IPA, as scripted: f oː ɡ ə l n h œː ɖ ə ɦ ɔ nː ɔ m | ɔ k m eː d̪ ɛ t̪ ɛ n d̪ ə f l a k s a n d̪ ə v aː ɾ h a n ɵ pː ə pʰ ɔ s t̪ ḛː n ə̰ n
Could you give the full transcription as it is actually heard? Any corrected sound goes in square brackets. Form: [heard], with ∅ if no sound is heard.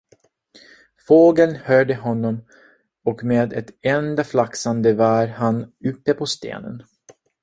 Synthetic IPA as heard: f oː ɡ ə l n h œː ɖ ə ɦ ɔ nː ɔ m | ɔ k m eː d̪ ɛ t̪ ɛ n d̪ [a] f l a k s a n d̪ ə v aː ɾ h a n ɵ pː ə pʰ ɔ s t̪ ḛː n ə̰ n